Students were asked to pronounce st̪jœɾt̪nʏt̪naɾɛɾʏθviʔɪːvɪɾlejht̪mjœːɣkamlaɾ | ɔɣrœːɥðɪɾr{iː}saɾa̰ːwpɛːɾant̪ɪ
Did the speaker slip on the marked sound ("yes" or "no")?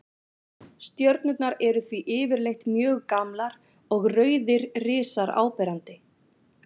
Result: yes